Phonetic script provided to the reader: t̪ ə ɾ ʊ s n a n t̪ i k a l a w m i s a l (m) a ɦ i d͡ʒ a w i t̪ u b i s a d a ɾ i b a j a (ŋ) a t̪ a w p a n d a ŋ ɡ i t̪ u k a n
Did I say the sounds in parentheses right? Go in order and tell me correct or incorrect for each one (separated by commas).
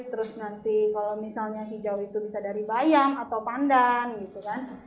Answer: incorrect, correct